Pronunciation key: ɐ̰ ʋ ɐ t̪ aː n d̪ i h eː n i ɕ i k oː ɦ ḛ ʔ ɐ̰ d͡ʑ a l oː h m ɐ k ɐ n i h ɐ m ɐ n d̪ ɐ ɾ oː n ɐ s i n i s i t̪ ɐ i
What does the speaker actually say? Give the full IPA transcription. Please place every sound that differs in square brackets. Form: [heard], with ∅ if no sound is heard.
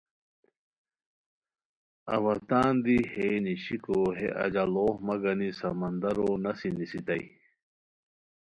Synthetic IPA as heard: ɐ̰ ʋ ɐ t̪ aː n d̪ i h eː n i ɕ i k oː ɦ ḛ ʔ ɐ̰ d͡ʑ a l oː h m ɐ [ɡ] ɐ n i [s] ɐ m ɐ n d̪ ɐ ɾ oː n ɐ s i n i s i t̪ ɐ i